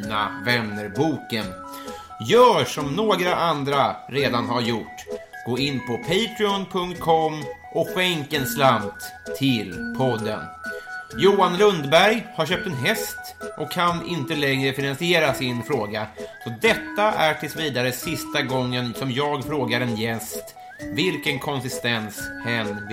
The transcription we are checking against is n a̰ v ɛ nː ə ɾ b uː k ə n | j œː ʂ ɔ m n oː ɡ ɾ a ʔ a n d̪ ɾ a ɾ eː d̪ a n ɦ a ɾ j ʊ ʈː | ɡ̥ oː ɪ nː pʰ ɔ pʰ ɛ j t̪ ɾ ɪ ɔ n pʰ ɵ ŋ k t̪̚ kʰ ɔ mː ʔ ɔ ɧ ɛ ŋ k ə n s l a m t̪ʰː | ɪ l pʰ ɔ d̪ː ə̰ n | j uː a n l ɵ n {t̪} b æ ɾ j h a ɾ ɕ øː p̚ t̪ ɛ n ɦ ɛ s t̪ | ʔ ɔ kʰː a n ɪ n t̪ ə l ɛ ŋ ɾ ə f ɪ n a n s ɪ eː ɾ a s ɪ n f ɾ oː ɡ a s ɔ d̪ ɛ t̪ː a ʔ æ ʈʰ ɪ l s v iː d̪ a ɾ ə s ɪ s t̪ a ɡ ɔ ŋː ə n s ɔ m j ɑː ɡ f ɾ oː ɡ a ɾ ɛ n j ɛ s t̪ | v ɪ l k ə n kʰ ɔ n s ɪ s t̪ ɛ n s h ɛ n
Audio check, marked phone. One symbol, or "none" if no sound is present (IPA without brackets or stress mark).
d̪